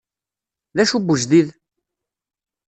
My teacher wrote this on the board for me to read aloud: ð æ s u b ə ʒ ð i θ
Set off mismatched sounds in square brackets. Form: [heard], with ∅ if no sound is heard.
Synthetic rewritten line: ð æ [ʃ] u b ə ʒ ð i [ð]